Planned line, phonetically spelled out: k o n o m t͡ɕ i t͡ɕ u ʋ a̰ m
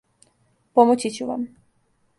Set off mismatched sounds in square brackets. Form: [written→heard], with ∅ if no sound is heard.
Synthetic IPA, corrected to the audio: [k→p] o [n→m] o [m→∅] t͡ɕ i t͡ɕ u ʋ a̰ m